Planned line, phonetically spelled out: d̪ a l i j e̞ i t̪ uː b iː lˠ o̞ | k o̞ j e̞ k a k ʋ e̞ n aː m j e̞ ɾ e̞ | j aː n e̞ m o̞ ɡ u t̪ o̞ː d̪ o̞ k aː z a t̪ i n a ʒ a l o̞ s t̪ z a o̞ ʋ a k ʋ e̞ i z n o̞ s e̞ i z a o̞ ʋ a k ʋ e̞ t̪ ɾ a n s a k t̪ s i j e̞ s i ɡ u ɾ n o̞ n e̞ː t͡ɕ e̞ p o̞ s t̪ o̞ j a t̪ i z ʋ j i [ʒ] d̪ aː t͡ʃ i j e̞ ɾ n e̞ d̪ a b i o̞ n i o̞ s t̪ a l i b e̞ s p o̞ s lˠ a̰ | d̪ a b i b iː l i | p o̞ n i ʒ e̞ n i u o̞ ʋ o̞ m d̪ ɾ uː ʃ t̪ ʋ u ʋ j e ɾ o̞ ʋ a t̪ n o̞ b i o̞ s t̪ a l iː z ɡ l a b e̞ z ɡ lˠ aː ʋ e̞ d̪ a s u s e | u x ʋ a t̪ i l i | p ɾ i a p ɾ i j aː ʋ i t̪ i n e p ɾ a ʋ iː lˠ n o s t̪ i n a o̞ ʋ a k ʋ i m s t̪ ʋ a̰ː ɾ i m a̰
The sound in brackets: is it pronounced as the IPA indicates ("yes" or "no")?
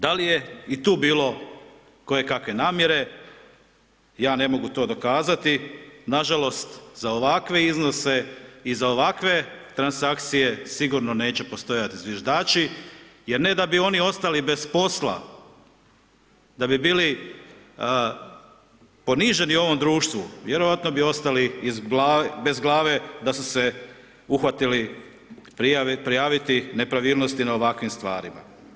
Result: yes